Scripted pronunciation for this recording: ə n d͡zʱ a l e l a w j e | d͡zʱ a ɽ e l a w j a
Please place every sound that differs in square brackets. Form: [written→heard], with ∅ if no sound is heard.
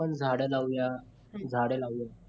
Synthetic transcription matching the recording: ə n d͡zʱ a [l→ɽ] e l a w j [e→a] | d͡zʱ a ɽ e l a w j a